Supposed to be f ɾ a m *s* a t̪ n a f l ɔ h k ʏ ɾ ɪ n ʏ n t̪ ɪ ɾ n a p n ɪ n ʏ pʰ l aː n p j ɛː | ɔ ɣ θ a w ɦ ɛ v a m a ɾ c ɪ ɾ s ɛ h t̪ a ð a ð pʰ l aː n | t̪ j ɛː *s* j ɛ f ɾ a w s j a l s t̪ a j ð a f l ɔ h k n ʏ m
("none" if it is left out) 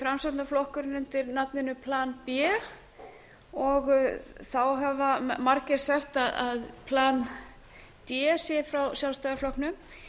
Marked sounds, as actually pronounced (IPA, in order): s, s

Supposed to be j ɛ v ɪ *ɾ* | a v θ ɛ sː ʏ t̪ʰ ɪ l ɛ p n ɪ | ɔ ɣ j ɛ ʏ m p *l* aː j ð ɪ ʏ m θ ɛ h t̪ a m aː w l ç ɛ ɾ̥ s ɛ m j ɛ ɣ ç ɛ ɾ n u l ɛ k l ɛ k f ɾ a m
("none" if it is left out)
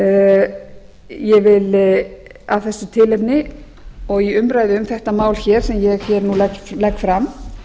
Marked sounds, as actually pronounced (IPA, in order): l, ɾ

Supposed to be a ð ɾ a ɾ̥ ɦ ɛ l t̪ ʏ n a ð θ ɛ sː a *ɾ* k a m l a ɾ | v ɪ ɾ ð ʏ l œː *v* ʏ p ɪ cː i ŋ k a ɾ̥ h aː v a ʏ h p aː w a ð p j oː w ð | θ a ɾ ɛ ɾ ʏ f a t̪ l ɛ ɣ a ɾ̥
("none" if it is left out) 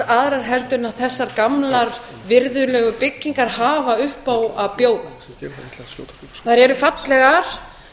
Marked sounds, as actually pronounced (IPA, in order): ɾ, ɣ

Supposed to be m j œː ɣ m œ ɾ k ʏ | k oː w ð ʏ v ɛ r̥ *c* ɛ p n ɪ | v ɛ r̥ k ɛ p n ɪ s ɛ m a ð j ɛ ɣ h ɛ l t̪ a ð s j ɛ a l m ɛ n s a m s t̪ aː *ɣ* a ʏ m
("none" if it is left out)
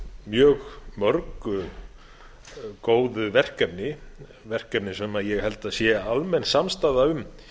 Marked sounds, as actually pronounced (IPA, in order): k, ð

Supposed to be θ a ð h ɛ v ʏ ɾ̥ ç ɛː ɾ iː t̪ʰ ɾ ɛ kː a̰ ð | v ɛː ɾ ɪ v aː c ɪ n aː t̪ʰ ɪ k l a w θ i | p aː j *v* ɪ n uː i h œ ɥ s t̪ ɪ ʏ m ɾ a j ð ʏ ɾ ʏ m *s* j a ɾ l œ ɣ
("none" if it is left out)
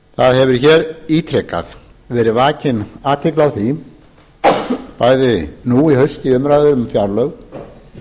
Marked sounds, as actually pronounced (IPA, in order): ð, f

